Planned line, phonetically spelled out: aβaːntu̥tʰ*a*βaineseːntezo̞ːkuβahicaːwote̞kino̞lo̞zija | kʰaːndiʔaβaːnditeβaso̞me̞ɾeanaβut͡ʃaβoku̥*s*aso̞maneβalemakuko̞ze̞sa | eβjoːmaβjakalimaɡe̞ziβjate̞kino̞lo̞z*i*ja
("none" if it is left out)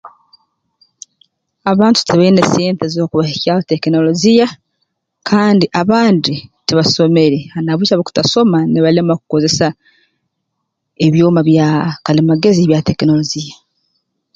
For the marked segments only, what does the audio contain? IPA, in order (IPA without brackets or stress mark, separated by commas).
e, t, i